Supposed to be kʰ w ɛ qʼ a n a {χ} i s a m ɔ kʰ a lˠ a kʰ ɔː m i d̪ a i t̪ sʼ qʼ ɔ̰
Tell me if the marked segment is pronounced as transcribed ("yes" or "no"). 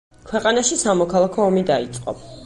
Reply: no